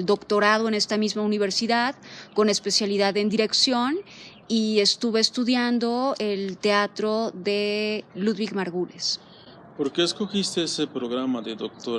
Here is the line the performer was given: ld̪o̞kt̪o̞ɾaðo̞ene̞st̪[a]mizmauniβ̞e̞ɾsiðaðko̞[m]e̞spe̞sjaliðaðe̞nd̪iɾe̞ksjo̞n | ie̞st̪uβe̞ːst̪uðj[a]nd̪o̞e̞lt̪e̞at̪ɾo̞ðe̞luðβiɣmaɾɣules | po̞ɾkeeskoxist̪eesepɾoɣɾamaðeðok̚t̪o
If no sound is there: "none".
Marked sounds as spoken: a, n, a

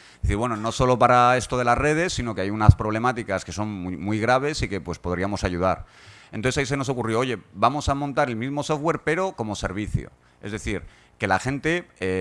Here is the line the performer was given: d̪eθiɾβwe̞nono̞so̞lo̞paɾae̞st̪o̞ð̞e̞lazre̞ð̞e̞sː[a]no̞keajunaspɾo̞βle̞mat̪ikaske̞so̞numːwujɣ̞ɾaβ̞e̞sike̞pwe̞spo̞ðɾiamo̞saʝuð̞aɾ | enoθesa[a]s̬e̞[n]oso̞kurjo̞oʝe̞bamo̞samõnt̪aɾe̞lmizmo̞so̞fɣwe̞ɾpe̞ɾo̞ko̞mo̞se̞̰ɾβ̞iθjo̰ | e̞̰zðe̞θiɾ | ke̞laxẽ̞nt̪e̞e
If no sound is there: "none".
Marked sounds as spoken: i, i, n

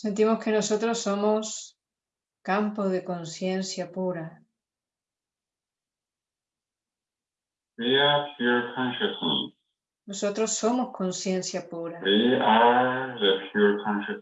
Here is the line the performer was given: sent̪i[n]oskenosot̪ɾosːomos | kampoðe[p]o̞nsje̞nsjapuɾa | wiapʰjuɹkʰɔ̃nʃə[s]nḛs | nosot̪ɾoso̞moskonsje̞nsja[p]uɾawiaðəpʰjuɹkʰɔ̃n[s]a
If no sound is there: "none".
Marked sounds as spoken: m, k, s, p, ʃ

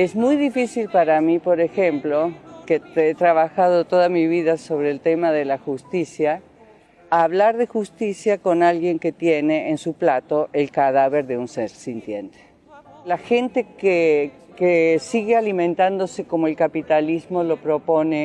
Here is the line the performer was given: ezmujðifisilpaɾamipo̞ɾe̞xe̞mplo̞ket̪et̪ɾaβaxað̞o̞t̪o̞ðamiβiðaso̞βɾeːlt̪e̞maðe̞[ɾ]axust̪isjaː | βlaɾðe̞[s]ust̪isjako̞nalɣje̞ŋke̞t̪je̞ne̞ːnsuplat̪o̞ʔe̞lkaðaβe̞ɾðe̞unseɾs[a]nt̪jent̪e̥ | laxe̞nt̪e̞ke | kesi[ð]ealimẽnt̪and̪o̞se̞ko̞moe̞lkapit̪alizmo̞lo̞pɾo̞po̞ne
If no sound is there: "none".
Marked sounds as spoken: l, x, i, ɣ

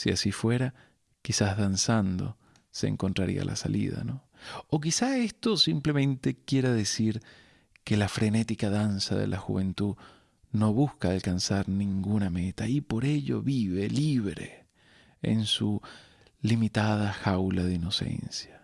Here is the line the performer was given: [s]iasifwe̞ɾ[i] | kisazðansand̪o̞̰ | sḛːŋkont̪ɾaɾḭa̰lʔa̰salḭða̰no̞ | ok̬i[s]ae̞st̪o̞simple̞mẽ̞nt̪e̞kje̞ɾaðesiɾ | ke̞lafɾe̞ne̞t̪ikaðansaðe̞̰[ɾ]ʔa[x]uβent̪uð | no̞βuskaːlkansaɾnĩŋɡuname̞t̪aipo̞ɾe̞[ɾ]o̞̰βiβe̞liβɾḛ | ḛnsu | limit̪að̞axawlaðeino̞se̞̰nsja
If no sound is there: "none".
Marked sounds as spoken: s, a, s, l, x, ʎ

